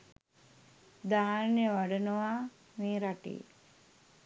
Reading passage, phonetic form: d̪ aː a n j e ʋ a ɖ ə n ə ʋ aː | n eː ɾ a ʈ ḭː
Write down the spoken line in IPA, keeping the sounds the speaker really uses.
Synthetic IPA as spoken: d̪ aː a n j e ʋ a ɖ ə n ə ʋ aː | m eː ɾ a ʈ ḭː